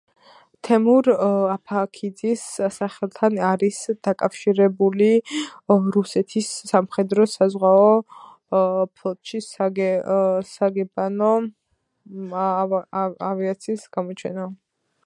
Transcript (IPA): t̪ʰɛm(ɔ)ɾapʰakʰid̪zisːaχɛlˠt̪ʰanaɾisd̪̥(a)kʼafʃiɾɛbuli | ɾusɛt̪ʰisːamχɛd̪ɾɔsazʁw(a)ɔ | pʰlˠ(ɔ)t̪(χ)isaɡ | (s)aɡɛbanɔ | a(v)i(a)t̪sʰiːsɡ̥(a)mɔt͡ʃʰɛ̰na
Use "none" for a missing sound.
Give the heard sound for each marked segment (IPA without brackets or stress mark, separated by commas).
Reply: u, a, a, ɔ, ʃ, s, v, a, a